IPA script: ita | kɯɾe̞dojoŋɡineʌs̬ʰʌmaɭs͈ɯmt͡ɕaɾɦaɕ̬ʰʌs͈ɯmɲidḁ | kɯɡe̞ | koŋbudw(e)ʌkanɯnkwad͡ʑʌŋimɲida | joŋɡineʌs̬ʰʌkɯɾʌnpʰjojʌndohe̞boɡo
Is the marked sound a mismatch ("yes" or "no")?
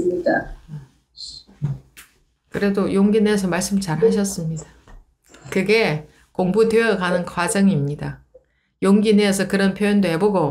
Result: no